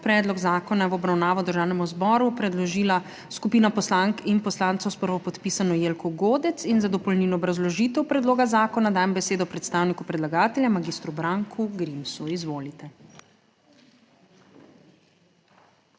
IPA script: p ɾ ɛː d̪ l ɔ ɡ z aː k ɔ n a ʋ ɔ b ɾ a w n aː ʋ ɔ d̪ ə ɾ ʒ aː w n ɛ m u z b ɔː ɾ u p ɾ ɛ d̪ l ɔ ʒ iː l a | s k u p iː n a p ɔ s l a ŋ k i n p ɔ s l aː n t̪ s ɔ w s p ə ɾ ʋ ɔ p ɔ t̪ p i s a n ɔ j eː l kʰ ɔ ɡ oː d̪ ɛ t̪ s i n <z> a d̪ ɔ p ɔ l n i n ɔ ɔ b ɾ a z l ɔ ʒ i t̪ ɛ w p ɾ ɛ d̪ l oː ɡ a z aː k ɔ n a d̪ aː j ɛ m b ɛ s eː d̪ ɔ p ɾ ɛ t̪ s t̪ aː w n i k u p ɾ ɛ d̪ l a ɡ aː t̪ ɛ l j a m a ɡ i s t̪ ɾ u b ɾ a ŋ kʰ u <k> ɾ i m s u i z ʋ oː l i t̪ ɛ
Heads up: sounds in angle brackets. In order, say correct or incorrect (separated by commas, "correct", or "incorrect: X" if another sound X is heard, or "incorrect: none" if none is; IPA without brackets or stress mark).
correct, incorrect: ɡ